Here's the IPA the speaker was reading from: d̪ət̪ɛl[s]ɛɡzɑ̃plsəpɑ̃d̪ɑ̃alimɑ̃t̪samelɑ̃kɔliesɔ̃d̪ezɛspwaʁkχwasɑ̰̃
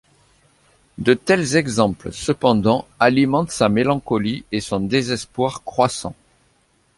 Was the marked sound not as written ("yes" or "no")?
yes